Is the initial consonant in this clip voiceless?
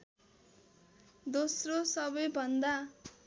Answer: no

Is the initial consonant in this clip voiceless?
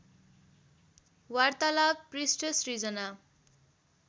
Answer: no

